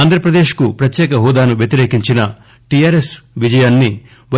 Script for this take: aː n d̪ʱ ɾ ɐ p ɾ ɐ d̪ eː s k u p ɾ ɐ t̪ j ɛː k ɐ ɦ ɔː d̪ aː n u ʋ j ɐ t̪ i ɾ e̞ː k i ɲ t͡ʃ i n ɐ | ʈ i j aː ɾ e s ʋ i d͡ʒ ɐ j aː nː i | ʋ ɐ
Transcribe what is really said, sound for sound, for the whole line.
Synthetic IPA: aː n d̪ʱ ɾ ɐ p ɾ ɐ d̪ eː ʃ k u p ɾ ɐ t̪ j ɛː k ɐ ɦ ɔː d̪ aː n u ʋ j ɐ t̪ i ɾ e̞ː k i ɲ t͡ʃ i n ɐ | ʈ i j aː ɾ e s ʋ i d͡ʒ ɐ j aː nː i | ʋ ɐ